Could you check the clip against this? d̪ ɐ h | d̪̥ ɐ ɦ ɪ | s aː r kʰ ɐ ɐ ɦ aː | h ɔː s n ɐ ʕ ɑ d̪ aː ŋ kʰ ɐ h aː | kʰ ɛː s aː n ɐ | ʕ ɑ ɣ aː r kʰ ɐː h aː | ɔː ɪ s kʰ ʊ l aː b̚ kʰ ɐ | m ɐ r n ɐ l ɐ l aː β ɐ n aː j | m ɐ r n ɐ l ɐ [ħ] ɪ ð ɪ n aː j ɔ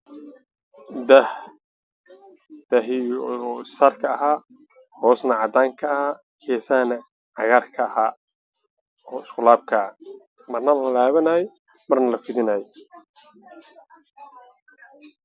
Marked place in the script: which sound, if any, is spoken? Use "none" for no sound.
f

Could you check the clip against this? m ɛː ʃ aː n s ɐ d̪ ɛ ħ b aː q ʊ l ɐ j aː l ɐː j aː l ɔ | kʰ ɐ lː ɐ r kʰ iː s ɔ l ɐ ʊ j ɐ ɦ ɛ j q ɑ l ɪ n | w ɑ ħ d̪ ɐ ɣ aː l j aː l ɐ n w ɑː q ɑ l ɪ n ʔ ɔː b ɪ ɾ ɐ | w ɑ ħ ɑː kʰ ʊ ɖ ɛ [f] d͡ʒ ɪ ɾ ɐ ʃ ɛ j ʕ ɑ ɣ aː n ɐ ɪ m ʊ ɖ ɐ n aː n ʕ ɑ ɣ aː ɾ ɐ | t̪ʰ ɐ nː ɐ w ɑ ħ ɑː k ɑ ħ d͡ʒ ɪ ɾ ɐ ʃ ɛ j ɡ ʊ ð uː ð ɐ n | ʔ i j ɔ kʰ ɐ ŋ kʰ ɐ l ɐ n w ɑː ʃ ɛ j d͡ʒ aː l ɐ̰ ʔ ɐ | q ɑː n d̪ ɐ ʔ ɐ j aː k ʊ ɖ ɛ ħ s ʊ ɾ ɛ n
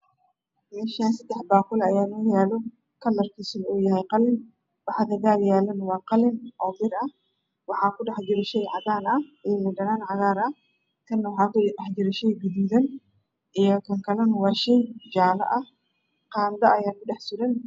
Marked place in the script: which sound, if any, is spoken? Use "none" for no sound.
ħ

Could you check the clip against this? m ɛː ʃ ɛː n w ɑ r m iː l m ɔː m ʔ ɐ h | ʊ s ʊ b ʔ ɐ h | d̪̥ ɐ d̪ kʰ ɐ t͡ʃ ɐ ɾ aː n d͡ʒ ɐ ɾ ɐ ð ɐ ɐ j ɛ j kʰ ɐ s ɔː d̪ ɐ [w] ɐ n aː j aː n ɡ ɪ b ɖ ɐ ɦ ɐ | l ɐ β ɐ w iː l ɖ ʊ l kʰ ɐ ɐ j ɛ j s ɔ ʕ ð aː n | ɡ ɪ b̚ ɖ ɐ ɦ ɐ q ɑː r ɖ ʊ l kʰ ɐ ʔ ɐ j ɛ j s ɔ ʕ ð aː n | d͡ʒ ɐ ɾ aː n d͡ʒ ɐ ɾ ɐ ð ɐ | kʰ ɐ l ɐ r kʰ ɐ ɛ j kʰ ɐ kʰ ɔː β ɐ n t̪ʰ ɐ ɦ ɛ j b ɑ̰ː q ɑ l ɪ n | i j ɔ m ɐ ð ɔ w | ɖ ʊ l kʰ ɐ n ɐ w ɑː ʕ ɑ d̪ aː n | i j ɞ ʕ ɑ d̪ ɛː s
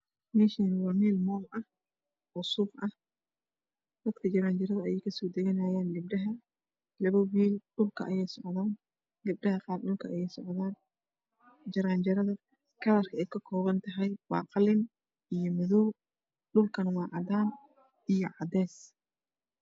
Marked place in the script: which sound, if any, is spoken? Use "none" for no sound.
ɣ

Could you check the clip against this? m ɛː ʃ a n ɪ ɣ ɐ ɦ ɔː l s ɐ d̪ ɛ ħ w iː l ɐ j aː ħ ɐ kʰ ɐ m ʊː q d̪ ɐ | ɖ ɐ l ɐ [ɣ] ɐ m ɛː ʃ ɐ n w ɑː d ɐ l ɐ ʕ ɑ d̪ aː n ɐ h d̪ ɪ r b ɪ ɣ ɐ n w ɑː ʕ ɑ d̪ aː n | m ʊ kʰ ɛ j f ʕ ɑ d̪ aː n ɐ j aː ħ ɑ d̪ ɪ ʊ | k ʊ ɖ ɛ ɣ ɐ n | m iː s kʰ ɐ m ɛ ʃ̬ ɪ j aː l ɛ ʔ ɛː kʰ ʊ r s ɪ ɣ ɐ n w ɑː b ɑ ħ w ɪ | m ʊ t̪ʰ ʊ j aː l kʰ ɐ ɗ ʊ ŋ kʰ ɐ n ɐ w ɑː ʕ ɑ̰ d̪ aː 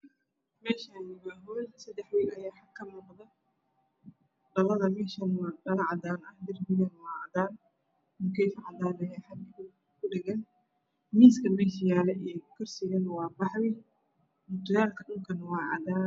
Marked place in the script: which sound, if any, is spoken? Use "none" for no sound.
ð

